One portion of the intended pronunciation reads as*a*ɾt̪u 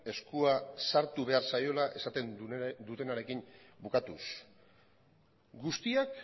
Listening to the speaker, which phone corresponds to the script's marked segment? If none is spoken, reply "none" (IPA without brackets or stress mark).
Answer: a